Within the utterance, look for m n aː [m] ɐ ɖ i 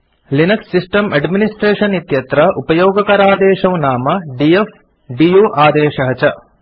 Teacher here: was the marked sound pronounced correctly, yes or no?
yes